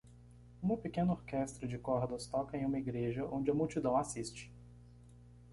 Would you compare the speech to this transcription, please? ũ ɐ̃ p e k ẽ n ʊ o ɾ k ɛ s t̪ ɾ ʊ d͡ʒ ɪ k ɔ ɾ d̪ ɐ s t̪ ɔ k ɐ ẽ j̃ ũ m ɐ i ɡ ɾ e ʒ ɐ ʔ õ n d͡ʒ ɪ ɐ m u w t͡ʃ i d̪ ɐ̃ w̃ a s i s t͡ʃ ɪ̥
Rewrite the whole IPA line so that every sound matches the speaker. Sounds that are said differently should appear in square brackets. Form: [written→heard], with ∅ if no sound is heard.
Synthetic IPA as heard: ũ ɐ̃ p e k ẽ n ʊ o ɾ k ɛ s t̪ ɾ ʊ d͡ʒ ɪ k ɔ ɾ d̪ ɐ s t̪ ɔ k ɐ ẽ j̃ ũ m ɐ i ɡ ɾ e ʒ ɐ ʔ õ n d͡ʒ ɪ ɐ m u w t͡ʃ i d̪ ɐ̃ w̃ a s i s t͡ʃ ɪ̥

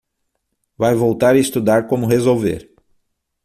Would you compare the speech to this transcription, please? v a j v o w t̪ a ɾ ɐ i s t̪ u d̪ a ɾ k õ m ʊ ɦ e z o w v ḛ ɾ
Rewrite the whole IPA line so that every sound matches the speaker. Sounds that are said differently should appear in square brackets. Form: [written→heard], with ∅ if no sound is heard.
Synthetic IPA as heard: v a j v o w t̪ a ɾ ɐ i s t̪ u d̪ a ɾ k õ m ʊ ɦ e z o w v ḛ ɾ

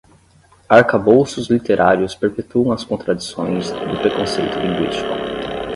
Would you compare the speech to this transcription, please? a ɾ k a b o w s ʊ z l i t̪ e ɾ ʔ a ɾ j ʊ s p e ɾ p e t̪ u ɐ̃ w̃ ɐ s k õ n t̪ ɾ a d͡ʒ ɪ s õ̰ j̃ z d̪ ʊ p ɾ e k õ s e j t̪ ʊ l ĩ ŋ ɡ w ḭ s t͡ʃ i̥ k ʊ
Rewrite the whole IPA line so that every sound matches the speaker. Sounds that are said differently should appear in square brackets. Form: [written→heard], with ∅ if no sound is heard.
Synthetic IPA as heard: a ɾ k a b o w s ʊ z l i t̪ e ɾ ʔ a ɾ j ʊ s p e ɾ p e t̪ u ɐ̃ w̃ ɐ s k õ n t̪ ɾ a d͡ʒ [ɪ→i] s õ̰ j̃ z d̪ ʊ p ɾ e k õ s e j t̪ ʊ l ĩ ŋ ɡ w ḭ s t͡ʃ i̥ k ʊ

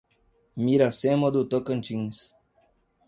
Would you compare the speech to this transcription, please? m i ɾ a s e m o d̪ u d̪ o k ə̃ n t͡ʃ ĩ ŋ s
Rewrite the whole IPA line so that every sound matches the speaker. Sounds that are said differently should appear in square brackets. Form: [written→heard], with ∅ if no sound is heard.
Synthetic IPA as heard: m i ɾ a s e m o d̪ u [d̪→t̪] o k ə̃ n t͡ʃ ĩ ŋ s

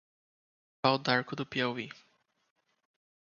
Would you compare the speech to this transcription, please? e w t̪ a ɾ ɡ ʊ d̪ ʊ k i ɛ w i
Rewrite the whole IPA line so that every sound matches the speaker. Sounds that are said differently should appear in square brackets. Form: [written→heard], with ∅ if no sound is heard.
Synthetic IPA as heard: [e→a] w [t̪→d̪] a ɾ [ɡ→k] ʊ d̪ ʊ [k→p] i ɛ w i

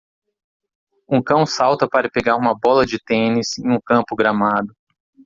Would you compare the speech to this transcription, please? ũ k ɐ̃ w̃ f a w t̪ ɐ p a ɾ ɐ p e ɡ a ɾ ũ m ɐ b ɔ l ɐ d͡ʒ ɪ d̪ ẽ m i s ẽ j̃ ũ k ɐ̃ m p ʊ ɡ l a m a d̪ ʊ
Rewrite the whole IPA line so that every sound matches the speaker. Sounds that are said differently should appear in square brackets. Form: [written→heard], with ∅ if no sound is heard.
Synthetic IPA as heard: ũ k ɐ̃ w̃ [f→s] a w t̪ ɐ p a ɾ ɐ p e ɡ a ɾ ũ m ɐ b ɔ l ɐ d͡ʒ ɪ [d̪→t̪] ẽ [m→n] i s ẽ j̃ ũ k ɐ̃ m p ʊ ɡ [l→ɾ] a m a d̪ ʊ

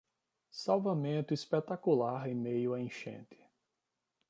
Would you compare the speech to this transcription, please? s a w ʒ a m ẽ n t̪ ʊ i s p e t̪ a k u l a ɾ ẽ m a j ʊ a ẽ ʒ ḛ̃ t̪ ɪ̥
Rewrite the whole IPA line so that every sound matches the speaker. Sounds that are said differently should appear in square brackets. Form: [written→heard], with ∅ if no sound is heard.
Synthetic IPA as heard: s a w [ʒ→v] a m ẽ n t̪ ʊ i s p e t̪ a k u l a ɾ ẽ m [a→e] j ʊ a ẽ [ʒ→ʃ] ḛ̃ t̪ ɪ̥

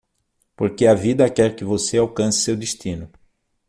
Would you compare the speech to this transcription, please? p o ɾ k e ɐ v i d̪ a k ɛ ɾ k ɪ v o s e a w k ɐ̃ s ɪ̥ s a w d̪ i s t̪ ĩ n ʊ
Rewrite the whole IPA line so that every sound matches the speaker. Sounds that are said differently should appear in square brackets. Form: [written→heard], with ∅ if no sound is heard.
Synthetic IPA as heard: p o ɾ k e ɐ v i d̪ [a→ɐ] k ɛ ɾ k ɪ v o s e a w k ɐ̃ s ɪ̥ s [a→e] w d̪ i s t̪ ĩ n ʊ

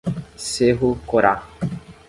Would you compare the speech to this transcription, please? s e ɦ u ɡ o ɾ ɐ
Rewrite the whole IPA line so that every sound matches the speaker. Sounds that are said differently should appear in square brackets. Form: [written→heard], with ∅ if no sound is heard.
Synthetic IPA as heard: s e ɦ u [ɡ→k] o ɾ [ɐ→a]

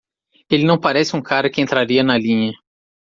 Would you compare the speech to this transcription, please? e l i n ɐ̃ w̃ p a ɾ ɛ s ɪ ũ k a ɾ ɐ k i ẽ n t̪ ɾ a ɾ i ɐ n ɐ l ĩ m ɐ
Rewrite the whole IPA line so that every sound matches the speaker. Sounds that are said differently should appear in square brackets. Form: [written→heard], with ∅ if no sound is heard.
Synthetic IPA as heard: e l [i→ɪ] n ɐ̃ w̃ p a ɾ ɛ s ɪ ũ k a ɾ ɐ k [i→ɪ] ẽ n t̪ ɾ a ɾ i ɐ n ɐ l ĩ [m→ɲ] ɐ

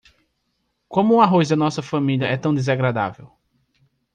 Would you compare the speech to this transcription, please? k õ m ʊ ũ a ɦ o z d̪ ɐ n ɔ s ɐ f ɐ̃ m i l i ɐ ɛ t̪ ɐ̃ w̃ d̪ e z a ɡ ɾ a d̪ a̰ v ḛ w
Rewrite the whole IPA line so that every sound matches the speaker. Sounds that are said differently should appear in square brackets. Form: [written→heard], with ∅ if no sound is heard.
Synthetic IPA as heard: k õ m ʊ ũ a ɦ o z d̪ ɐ n ɔ s ɐ f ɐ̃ m i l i ɐ ɛ t̪ ɐ̃ w̃ d̪ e z a ɡ ɾ a d̪ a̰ v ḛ w

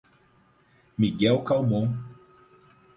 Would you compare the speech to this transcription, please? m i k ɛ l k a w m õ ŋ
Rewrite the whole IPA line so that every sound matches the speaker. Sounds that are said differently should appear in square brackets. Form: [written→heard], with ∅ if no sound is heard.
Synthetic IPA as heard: m i [k→ɡ] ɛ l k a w m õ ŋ

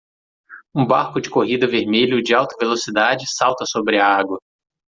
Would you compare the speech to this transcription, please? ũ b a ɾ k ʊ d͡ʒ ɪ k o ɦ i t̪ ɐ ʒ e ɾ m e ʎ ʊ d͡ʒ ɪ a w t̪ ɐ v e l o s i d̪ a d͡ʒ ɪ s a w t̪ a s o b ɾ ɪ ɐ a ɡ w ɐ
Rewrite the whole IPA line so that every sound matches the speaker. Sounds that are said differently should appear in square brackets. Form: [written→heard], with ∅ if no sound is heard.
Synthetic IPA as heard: ũ b a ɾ k ʊ d͡ʒ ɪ k o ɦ i [t̪→d̪] ɐ [ʒ→v] e ɾ m e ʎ ʊ d͡ʒ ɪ a w t̪ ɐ v e l o s i d̪ a d͡ʒ ɪ s a w t̪ [a→ɐ] s o b ɾ ɪ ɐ a ɡ w ɐ

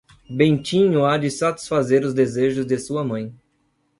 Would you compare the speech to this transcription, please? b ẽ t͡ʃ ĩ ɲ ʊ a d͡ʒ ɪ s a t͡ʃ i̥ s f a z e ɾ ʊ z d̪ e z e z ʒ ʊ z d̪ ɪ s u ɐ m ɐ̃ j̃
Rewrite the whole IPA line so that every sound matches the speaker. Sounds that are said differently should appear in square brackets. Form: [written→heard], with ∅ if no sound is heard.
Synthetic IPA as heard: b ẽ t͡ʃ ĩ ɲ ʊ a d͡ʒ ɪ s a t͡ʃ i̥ s f a z e ɾ ʊ z d̪ e z e [z→∅] ʒ ʊ z d̪ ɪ s u ɐ m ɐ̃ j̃

